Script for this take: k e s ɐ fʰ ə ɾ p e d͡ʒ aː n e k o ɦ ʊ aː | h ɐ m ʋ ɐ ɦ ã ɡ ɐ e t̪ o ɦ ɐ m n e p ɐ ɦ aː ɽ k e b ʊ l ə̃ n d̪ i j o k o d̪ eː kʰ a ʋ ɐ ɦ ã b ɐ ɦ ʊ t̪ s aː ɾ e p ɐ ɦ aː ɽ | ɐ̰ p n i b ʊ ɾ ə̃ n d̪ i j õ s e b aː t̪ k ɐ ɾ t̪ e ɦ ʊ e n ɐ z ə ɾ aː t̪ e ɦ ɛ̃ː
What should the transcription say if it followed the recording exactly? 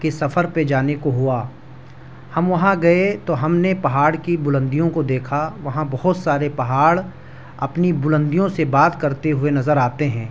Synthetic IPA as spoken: k e s ɐ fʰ ə ɾ p e d͡ʒ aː n e k o ɦ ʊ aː | h ɐ m ʋ ɐ ɦ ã ɡ ɐ e t̪ o ɦ ɐ m n e p ɐ ɦ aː ɽ k i b ʊ l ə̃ n d̪ i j õ k o d̪ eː kʰ a ʋ ɐ ɦ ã b ɐ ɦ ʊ t̪ s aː ɾ e p ɐ ɦ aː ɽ | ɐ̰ p n i b ʊ l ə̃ n d̪ i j õ s e b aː t̪ k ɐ ɾ t̪ e ɦ ʊ e n ɐ z ə ɾ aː t̪ e ɦ ɛ̃ː

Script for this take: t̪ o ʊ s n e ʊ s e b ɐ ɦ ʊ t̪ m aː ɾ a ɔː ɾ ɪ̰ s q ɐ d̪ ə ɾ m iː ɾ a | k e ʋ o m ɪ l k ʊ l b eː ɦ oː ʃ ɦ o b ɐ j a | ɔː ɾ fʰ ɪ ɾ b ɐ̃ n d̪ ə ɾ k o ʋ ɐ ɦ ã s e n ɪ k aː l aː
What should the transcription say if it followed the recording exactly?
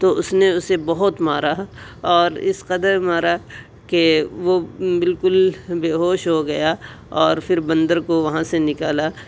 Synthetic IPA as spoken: t̪ o ʊ s n e ʊ s e b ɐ ɦ ʊ t̪ m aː ɾ a ɔː ɾ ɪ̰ s q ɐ d̪ ə ɾ m aː ɾ a | k e ʋ o b ɪ l k ʊ l b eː ɦ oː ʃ ɦ o ɡ ɐ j a | ɔː ɾ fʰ ɪ ɾ b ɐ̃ n d̪ ə ɾ k o ʋ ɐ ɦ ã s e n ɪ k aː l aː

